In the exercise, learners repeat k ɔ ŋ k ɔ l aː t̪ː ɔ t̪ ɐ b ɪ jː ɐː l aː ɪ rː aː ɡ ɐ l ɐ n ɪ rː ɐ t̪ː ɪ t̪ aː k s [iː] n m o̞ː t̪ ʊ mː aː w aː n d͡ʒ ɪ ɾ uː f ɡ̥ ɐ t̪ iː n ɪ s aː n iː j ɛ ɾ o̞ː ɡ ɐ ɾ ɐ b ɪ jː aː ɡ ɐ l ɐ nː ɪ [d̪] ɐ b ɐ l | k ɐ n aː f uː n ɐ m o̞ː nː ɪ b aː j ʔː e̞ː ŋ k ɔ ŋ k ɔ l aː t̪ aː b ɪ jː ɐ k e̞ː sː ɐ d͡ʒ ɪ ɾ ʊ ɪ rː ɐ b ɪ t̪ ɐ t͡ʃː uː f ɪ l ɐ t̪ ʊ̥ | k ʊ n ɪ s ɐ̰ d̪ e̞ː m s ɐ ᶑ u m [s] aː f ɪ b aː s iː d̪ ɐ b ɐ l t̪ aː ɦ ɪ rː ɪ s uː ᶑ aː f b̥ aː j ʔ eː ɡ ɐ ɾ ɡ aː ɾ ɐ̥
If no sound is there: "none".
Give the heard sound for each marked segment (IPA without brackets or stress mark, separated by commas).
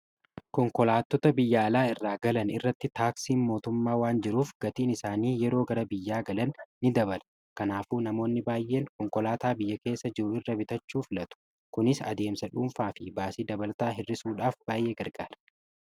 iː, d̪, f